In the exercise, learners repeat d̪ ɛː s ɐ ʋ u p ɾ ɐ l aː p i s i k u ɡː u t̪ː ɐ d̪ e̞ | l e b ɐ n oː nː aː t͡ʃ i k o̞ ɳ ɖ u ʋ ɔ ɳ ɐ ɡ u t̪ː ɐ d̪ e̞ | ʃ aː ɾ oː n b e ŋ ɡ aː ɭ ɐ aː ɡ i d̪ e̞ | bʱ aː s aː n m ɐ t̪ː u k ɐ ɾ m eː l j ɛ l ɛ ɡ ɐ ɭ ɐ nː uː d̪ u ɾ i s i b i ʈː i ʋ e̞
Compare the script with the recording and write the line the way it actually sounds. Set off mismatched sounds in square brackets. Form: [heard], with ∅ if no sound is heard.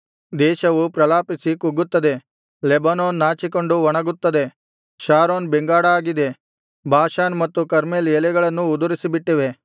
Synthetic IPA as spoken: d̪ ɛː [ʃ] ɐ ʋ u p ɾ ɐ l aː p i s i k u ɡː u t̪ː ɐ d̪ e̞ | l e b ɐ n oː nː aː t͡ʃ i k o̞ ɳ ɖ u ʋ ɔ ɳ ɐ ɡ u t̪ː ɐ d̪ e̞ | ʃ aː ɾ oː n b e ŋ ɡ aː [ɽ] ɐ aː ɡ i d̪ e̞ | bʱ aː [ʃ] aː n m ɐ t̪ː u k ɐ ɾ m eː l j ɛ l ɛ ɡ ɐ ɭ ɐ nː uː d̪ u ɾ i s i b i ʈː i ʋ e̞